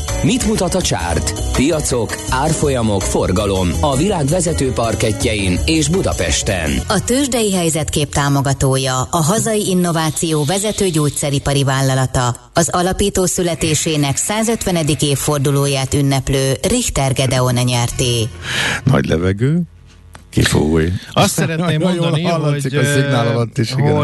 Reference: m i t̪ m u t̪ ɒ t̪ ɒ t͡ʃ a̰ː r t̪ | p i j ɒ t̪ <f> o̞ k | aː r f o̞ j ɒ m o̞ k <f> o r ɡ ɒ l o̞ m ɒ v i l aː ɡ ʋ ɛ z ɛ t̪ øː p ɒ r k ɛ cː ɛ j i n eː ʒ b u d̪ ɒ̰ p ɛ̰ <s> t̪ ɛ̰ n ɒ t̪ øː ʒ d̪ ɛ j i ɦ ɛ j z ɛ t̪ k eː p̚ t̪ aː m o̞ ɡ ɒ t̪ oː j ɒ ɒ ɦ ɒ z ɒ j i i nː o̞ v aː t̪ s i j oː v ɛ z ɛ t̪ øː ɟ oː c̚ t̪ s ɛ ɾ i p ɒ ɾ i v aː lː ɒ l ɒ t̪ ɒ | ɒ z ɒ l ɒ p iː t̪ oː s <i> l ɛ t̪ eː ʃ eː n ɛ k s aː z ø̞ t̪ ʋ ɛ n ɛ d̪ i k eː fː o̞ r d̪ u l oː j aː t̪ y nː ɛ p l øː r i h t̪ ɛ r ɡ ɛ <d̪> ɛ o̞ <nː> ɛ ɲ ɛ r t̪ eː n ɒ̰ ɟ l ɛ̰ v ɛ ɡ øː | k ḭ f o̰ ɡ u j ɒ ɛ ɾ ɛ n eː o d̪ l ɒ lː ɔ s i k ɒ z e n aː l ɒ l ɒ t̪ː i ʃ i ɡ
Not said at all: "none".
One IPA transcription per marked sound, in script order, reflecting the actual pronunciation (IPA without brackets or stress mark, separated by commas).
s, f, ʃ, y, d̪, n